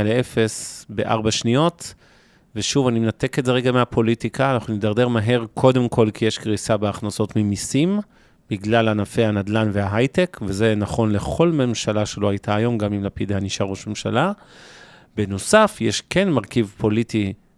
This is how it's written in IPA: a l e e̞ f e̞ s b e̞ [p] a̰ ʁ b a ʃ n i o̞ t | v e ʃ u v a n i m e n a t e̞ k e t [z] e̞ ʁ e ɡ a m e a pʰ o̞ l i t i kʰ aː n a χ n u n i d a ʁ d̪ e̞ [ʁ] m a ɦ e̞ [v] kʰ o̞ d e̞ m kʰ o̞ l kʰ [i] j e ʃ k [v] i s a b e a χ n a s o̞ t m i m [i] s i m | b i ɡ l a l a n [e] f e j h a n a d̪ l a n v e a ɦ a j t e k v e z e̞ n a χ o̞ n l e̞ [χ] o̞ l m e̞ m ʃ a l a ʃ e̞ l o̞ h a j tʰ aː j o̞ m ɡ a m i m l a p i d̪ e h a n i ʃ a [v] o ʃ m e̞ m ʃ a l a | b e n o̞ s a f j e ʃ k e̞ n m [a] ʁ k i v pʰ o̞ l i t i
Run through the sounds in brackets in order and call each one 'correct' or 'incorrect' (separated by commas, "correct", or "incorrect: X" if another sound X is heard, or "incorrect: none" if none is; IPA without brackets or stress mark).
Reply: incorrect: ʔ, correct, correct, incorrect: ʁ, correct, incorrect: ʁ, correct, incorrect: a, correct, incorrect: ʁ, correct